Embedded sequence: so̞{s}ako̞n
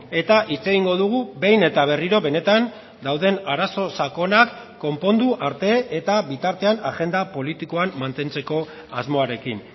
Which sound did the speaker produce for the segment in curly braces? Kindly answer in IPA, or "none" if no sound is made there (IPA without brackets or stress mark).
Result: s